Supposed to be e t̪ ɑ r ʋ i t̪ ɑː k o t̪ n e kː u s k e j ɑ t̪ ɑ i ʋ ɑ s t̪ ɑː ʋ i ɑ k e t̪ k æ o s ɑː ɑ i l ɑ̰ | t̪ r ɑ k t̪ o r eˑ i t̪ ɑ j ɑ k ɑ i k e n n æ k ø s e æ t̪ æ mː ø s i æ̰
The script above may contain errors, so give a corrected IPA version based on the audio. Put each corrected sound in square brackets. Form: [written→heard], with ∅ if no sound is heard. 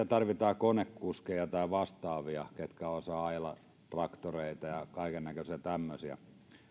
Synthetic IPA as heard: [e→æ] t̪ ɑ r ʋ i t̪ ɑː k o [t̪→∅] n e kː u s k e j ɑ t̪ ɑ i ʋ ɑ s t̪ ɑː ʋ i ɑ k e t̪ k æ o s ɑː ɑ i l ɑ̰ | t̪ r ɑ k t̪ o r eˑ i t̪ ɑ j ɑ k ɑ i k e n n æ k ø s [e→i] æ t̪ æ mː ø s i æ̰

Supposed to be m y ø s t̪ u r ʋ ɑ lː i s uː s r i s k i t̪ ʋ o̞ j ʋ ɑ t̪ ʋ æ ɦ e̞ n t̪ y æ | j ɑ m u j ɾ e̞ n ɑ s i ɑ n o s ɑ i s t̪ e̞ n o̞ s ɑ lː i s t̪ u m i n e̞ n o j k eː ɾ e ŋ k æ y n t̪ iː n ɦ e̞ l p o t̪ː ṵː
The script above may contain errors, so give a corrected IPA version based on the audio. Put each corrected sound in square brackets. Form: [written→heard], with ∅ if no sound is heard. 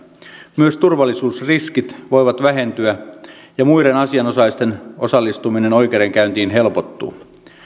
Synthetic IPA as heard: m y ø s t̪ u r ʋ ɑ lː i s uː s r i s k i t̪ ʋ o̞ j ʋ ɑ t̪ ʋ æ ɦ e̞ n t̪ y æ | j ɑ m u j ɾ e̞ n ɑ s i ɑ n o s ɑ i s t̪ e̞ n o̞ s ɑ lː i s t̪ u m i n e̞ n o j k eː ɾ e ŋ k æ y n t̪ iː n ɦ e̞ l p o t̪ː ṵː

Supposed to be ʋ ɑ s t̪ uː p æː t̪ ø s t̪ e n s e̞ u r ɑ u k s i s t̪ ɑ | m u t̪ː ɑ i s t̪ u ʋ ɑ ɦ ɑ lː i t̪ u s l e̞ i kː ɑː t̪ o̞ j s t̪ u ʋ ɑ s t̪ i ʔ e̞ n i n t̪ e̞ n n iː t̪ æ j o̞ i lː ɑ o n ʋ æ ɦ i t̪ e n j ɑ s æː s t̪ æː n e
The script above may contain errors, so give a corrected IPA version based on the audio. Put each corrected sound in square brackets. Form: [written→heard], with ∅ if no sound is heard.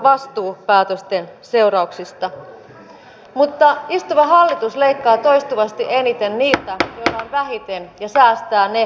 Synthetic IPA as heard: ʋ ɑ s t̪ uː p æː t̪ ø s t̪ e n s e̞ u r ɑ u k s i s t̪ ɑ | m u t̪ː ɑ i s t̪ u ʋ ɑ ɦ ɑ lː i t̪ u s l e̞ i kː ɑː t̪ o̞ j s t̪ u ʋ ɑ s t̪ i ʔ e̞ n i [n→∅] t̪ e̞ n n iː t̪ æ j o̞ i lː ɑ o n ʋ æ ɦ i t̪ e n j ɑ s æː s t̪ æː n e

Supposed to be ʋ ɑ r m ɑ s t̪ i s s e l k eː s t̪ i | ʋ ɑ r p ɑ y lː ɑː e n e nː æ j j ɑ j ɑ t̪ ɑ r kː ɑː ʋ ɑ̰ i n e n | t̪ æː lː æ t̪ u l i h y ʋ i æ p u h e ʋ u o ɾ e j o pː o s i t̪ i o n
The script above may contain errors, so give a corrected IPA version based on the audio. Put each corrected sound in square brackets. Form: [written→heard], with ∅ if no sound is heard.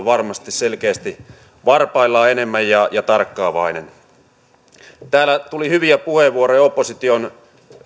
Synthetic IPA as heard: ʋ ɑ r m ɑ s t̪ i s s e l k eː s t̪ i | ʋ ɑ r p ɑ [y→i] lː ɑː e n e [nː→mː] æ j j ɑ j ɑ t̪ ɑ r kː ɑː ʋ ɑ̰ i n e n | t̪ æː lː æ t̪ u l i h y ʋ i æ p u h e ʋ u o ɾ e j o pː o s i t̪ i o n

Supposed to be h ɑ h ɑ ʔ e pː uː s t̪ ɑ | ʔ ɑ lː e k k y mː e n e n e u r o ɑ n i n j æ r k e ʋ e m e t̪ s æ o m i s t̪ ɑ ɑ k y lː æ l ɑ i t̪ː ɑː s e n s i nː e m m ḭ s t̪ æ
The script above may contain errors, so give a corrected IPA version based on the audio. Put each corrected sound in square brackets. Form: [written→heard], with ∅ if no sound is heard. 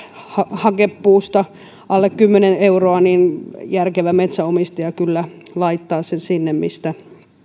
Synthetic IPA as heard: h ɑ h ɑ [ʔ→k] e pː uː s t̪ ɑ | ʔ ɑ lː e k k y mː e n e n e u r o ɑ n i n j æ r k e ʋ [e→æ] m e t̪ s æ o m i s t̪ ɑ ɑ k y lː æ l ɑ i t̪ː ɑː s e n s i nː e m m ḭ s t̪ æ

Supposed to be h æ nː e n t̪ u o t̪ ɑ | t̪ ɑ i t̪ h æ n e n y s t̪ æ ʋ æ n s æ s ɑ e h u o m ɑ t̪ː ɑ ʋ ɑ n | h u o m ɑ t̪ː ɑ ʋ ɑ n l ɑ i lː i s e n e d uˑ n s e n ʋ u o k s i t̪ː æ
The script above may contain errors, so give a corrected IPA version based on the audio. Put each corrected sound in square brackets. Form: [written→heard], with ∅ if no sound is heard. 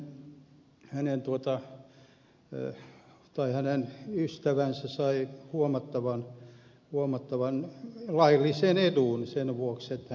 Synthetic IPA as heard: h æ [nː→n] e n t̪ u o t̪ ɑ | t̪ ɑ i [t̪→∅] h æ n e n y s t̪ æ ʋ æ n s æ s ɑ [e→i] h u o m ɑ t̪ː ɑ ʋ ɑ n | h u o m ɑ t̪ː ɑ ʋ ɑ n l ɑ i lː i s e n e d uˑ n s e n ʋ u o k s [i→e] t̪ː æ

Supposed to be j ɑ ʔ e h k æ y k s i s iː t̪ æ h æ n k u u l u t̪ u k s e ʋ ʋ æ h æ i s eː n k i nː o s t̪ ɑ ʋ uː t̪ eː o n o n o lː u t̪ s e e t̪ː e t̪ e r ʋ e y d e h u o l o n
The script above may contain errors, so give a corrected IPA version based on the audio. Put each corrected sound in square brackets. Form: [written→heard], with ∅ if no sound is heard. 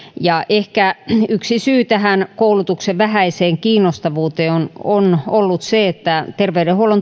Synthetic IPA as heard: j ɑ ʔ e h k æ y k s i s [iː→yː] t̪ æ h æ n k [u→o] u l u t̪ u k s e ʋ ʋ æ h æ i s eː [n→ŋ] k [i→iː] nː o s t̪ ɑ ʋ uː t̪ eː o n o n o lː u t̪ s e e t̪ː [e→æ] t̪ e r ʋ e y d e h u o l o n

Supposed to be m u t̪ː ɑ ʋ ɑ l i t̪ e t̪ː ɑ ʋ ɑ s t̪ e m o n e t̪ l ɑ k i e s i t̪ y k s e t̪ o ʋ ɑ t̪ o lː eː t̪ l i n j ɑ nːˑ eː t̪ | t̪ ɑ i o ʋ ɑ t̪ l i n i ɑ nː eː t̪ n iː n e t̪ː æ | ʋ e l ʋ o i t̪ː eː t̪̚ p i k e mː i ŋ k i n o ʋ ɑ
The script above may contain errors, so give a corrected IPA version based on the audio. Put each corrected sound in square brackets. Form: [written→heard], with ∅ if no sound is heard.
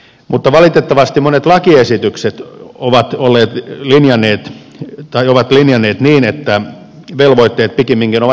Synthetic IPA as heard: m u t̪ː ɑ ʋ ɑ l i t̪ e t̪ː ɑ ʋ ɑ s t̪ [e→i] m o n e t̪ l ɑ k i e s i t̪ y k s e t̪ o ʋ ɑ t̪ o lː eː t̪ l i n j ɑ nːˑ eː t̪ | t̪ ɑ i o ʋ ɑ t̪ l i n [i→j] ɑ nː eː t̪ n iː n e t̪ː æ | ʋ e l ʋ o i t̪ː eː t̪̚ p i k e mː i ŋ k i n o ʋ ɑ

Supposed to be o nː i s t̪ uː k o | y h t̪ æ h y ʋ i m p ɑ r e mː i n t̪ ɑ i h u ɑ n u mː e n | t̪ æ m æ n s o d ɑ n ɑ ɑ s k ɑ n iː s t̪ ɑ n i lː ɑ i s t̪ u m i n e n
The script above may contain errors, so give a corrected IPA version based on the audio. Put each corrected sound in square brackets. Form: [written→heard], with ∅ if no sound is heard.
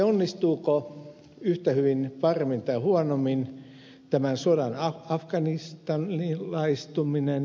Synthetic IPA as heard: o nː i s t̪ uː k o | y h t̪ æ h y ʋ i [m→n] p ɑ r e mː i n t̪ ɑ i h u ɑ n [u→o] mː [e→i] n | t̪ æ m æ n s o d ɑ n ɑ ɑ [s→f] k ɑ n [iː→i] s t̪ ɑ n i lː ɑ i s t̪ u m i n e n

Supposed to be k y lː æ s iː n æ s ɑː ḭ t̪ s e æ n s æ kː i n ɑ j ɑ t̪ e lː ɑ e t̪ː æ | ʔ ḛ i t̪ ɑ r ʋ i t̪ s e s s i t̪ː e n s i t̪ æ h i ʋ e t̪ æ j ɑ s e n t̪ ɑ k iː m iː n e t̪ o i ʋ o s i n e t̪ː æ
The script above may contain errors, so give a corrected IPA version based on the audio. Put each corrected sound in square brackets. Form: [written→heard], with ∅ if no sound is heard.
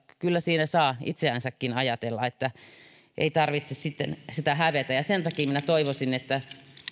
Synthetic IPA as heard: k y lː æ s iː n æ s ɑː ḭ t̪ s e æ n s æ kː i n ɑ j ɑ t̪ e lː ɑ e t̪ː æ | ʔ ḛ i t̪ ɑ r ʋ i t̪ s e s s i t̪ː e n s i t̪ æ h [i→æ] ʋ e t̪ æ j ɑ s e n t̪ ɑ k iː m [iː→i] n [e→æ] t̪ o i ʋ o s i n e t̪ː æ

